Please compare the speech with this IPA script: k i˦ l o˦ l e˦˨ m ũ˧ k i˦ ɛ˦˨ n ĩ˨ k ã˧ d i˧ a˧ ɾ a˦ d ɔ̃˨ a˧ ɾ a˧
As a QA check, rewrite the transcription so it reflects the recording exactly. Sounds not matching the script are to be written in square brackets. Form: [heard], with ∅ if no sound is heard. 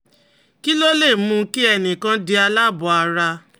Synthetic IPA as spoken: k i˦ l o˦ l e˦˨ m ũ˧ k i˦ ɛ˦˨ n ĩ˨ k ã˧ d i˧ a˧ [l] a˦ [b] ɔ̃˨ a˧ ɾ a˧